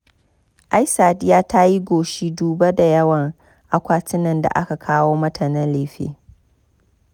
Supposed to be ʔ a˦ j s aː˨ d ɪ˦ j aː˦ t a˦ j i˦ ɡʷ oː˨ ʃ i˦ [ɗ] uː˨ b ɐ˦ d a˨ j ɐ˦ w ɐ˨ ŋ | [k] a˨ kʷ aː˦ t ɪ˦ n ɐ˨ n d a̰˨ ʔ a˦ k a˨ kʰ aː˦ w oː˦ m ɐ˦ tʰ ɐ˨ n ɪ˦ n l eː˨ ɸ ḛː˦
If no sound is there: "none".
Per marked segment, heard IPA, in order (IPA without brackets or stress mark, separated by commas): d, ʔ